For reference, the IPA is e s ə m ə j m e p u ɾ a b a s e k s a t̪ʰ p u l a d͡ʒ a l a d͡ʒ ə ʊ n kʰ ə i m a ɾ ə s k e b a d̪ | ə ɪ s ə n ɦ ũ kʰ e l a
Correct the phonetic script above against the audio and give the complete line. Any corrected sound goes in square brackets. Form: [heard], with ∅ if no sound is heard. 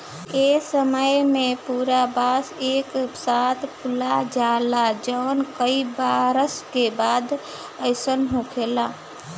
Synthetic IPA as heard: e s ə m ə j m e p u ɾ a b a s e k s a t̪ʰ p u l a d͡ʒ a l a d͡ʒ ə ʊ n [k] ə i [b] a ɾ ə s k e b a d̪ | ə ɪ s ə n ɦ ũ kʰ e l a

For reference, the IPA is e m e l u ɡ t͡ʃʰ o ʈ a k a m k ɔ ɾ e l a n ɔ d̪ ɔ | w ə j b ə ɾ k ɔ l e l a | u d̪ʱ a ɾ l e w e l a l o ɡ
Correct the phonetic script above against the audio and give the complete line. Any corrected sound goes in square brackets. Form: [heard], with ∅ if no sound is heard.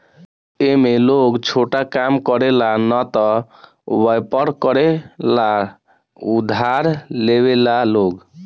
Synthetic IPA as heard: e m e l [o] ɡ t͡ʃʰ o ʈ a k a m k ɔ ɾ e l a n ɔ [t̪] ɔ | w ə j [p] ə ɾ k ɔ [ɾ] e l a | u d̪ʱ a ɾ l e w e l a l o ɡ

